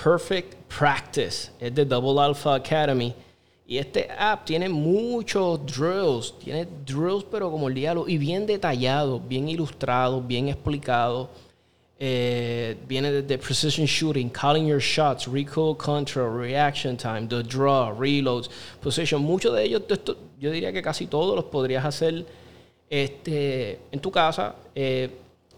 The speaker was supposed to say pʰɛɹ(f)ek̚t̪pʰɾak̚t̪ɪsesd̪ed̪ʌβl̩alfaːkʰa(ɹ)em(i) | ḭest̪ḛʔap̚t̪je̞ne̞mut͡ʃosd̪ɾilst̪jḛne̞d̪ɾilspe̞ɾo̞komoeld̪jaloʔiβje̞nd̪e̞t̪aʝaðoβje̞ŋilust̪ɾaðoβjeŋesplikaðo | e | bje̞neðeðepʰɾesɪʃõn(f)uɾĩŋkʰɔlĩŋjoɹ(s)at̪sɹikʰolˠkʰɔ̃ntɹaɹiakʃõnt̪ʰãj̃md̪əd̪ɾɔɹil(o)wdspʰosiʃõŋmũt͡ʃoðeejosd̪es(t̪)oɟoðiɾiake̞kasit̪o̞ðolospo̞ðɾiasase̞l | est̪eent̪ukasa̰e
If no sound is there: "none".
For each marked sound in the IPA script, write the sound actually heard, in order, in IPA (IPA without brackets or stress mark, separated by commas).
f, ɾ, i, ʃ, ʃ, o, t̪